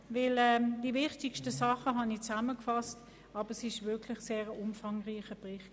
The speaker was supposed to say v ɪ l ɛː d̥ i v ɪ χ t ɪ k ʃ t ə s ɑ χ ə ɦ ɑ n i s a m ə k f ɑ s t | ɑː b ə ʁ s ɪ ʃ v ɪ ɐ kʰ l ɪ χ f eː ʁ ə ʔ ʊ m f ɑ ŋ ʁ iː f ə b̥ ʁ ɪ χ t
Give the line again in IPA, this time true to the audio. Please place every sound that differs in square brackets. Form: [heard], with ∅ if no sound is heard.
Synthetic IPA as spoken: v ɪ l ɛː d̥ i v ɪ χ t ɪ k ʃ t ə s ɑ χ ə ɦ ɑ n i [t͡s] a m ə k f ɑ s t | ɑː b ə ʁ s ɪ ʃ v ɪ ɐ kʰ l ɪ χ [s] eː ʁ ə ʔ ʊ m f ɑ ŋ ʁ iː [χ] ə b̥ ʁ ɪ χ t